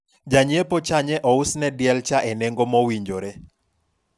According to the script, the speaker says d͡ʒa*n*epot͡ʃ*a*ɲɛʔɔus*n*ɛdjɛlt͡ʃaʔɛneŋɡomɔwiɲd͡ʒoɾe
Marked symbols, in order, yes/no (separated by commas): no, yes, yes